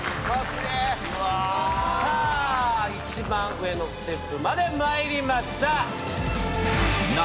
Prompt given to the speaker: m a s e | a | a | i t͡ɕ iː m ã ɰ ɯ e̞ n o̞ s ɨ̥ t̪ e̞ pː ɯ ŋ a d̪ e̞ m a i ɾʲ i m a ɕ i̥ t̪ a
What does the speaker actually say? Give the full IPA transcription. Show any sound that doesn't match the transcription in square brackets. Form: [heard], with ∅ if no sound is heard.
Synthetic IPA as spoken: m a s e | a | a | i t͡ɕ [i] m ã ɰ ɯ e̞ n o̞ s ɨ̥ t̪ e̞ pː ɯ [m] a d̪ e̞ m a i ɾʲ i m a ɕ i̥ t̪ a